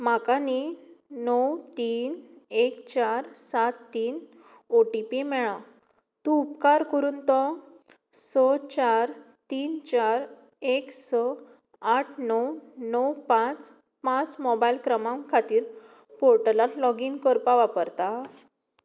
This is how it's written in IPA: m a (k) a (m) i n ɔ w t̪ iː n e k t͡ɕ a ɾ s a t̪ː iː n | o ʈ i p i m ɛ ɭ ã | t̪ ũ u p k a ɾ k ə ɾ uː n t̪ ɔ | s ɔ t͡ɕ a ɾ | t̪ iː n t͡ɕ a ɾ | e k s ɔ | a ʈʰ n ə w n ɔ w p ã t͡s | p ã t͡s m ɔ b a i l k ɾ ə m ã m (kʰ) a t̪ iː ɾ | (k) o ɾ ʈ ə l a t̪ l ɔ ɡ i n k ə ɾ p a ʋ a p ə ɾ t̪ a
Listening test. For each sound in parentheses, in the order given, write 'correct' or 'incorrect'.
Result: correct, incorrect: n, correct, incorrect: p

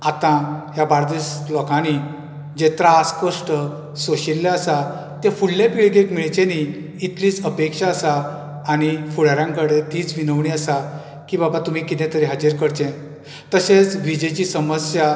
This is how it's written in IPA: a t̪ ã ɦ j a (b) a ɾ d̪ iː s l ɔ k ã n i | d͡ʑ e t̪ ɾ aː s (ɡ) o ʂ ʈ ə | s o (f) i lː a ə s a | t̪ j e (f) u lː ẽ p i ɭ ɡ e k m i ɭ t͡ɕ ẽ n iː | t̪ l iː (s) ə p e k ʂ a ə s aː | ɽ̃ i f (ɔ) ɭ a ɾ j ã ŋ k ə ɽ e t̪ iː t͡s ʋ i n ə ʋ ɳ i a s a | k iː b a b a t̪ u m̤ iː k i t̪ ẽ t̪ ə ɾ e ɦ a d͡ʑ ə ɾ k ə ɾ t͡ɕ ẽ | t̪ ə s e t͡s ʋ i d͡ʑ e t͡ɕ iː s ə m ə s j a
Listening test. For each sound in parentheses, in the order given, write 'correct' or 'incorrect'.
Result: correct, incorrect: k, incorrect: ɕ, correct, incorrect: t͡s, incorrect: u

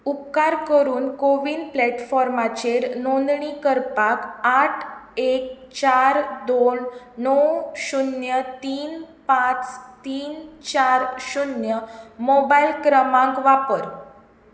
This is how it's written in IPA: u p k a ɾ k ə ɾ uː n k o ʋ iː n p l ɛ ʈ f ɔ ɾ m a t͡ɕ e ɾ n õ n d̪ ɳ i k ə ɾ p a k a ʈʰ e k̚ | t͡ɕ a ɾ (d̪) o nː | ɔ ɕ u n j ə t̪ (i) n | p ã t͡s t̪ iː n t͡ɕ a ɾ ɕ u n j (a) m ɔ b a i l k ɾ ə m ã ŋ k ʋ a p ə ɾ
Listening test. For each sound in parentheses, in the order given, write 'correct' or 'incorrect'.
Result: correct, incorrect: iː, incorrect: ə

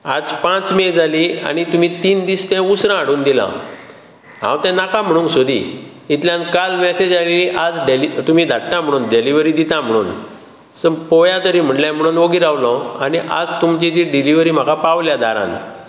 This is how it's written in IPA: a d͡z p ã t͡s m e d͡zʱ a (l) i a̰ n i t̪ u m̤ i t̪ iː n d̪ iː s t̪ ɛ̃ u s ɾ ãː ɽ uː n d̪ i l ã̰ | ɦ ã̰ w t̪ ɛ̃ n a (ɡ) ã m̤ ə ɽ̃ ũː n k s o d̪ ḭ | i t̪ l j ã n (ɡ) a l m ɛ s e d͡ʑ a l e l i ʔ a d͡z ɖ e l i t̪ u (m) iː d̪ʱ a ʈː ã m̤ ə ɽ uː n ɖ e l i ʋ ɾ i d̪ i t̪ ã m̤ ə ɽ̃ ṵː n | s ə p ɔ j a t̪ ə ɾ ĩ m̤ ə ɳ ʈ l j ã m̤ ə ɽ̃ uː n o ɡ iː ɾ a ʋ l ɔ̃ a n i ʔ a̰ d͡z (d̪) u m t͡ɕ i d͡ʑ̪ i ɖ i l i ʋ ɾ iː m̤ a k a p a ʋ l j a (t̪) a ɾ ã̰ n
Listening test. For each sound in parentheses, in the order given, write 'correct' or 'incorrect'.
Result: correct, incorrect: k, incorrect: k, correct, incorrect: t̪, incorrect: d̪

